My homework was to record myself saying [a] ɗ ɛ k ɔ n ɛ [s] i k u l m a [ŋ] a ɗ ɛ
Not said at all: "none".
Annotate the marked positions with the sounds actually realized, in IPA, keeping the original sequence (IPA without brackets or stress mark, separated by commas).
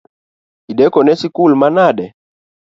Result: i, s, n